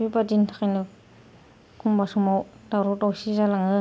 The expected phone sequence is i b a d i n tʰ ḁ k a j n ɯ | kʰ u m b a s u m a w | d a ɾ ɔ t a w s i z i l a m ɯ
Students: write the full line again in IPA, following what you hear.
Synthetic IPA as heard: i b a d i n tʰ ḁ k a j n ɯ | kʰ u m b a s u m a w | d a ɾ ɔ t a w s i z a l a ŋ ɯ